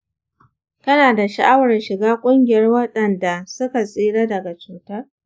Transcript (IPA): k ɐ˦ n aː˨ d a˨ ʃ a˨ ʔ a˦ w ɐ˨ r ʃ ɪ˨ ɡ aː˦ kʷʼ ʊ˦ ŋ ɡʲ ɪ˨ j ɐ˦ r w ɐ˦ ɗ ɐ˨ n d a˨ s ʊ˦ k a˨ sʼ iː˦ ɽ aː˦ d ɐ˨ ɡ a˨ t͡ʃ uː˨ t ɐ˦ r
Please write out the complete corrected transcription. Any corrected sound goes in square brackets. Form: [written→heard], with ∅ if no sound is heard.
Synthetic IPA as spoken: k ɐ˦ n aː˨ d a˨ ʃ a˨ ʔ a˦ w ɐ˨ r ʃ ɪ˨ ɡ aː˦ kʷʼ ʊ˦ ŋ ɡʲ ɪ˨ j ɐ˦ r w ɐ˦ ɗ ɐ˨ n d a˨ s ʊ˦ k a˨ sʼ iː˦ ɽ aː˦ d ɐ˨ ɡ a˨ t͡ʃ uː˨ t ɐ˦ r